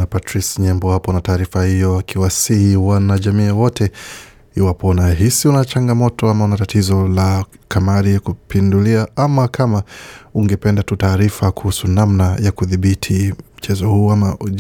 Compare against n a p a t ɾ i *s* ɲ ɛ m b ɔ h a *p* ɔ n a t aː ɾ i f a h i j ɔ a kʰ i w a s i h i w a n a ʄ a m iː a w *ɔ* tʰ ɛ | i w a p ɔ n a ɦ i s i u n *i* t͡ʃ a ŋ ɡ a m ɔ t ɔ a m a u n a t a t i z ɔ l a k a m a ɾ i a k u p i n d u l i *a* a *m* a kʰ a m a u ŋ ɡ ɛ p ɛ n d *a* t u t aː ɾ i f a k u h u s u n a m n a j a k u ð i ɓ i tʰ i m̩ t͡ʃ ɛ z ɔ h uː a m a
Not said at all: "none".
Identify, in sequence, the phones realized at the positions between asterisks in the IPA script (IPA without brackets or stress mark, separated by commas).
s, p, ɔ, a, a, m, a